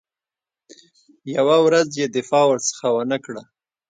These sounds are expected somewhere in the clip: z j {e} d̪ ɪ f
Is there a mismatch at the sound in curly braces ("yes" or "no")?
no